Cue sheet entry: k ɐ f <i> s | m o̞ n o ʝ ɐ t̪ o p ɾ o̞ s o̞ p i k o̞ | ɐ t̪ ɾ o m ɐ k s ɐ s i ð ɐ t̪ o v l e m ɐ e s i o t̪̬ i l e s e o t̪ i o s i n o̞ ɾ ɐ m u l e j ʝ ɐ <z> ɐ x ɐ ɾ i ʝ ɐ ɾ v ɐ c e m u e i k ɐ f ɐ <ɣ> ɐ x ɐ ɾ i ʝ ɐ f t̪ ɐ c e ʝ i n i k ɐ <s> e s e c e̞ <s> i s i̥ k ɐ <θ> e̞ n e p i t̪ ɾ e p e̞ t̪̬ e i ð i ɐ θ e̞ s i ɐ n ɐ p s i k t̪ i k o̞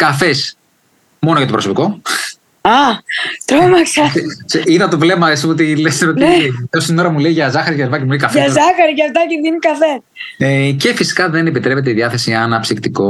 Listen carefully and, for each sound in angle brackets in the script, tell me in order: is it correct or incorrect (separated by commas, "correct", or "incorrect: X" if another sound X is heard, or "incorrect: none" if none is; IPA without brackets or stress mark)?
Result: incorrect: e, correct, incorrect: z, incorrect: f, incorrect: f, incorrect: ð